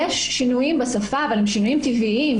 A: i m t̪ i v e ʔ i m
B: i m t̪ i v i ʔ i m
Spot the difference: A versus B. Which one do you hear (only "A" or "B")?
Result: B